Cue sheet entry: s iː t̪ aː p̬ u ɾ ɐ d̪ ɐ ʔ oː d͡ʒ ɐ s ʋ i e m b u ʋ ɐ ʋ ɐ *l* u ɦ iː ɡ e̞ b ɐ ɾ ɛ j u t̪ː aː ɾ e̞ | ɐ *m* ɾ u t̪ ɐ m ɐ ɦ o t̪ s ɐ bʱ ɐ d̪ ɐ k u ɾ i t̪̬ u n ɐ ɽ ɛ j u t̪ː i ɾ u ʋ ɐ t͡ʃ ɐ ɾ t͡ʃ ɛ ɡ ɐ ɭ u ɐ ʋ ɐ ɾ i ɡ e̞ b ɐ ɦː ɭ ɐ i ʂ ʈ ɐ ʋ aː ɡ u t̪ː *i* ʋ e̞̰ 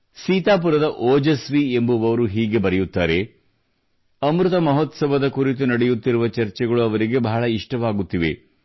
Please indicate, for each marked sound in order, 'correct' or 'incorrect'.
incorrect: ɾ, correct, correct

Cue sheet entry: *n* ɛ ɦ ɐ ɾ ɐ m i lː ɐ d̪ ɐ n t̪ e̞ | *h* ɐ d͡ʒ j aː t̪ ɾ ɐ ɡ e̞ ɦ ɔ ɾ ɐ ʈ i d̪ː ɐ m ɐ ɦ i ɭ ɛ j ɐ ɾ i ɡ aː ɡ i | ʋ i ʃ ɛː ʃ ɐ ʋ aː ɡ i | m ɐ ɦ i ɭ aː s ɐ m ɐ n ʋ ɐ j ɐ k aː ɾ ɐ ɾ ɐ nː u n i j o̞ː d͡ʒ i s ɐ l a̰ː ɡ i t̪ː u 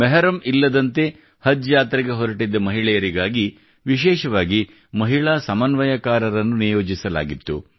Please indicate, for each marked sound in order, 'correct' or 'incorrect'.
incorrect: m, correct

